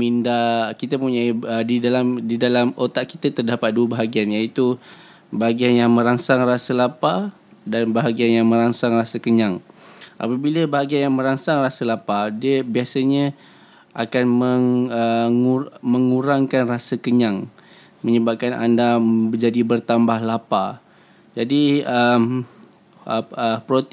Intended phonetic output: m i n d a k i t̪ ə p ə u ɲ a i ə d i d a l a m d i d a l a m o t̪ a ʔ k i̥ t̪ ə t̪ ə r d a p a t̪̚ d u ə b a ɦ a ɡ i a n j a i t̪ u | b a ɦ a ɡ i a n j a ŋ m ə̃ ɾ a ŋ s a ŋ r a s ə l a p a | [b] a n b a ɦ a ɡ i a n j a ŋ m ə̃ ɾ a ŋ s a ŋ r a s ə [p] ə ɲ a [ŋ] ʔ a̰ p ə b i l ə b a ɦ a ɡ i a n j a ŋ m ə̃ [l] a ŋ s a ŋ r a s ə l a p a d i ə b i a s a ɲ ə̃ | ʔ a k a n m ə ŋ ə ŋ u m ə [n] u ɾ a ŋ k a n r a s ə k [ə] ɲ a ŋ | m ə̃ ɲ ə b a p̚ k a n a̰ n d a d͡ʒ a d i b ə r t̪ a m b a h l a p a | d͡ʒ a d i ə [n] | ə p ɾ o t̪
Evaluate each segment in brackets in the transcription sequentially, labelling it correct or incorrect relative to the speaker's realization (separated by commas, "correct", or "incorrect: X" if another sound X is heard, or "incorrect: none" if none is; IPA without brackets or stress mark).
incorrect: d, incorrect: k, correct, incorrect: ɾ, incorrect: ŋ, correct, incorrect: m